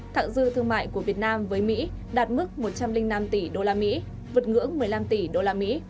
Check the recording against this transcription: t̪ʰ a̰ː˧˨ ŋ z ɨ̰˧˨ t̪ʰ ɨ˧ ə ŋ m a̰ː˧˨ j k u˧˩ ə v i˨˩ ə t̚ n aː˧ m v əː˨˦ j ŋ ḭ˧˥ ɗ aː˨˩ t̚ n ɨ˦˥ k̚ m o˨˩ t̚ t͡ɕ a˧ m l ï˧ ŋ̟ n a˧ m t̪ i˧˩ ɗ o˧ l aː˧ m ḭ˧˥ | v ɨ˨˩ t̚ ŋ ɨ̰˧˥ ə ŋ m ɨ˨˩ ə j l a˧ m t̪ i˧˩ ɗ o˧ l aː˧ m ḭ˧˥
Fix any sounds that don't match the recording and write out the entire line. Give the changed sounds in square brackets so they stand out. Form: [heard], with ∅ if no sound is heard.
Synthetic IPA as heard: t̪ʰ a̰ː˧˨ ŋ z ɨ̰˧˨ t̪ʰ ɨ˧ ə ŋ m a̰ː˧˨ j k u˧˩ ə v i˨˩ ə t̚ n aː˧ m v əː˨˦ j [m] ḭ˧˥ ɗ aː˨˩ t̚ [m] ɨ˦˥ k̚ m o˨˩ t̚ t͡ɕ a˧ m l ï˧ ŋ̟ n a˧ m t̪ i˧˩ ɗ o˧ l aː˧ m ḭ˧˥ | v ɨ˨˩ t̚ ŋ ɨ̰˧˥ ə ŋ m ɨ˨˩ ə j l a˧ m t̪ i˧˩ ɗ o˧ l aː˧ m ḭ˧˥